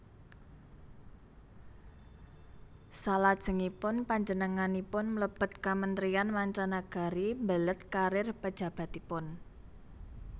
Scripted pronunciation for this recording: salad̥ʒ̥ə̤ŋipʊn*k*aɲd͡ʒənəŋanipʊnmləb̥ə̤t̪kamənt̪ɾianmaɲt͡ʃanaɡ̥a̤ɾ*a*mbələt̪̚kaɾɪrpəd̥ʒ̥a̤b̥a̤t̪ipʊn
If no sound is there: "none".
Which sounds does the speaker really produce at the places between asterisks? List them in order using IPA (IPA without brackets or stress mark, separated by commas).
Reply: p, i